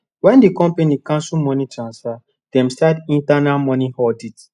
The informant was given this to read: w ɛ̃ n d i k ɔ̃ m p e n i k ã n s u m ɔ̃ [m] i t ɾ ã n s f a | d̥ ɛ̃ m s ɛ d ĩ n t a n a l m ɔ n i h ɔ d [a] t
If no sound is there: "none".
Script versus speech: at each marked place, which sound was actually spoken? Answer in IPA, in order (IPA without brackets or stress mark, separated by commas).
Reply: n, i